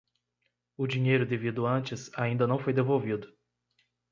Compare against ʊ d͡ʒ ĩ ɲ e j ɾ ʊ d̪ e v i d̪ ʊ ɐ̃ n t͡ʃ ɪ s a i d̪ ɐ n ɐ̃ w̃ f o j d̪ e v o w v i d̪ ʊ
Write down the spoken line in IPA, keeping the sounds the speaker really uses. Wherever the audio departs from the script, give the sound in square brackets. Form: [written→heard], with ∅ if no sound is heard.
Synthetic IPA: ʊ d͡ʒ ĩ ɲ e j ɾ ʊ d̪ e v i d̪ ʊ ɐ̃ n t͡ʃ ɪ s a [i→ĩ] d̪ ɐ n ɐ̃ w̃ f o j d̪ e v o w v i d̪ ʊ